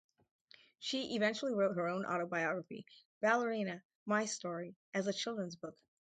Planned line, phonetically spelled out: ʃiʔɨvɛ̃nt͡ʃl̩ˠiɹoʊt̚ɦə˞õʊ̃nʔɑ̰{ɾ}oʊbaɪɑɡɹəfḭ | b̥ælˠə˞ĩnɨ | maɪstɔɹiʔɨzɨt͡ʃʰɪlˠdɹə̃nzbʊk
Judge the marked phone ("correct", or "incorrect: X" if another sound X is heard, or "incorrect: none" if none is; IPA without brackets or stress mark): correct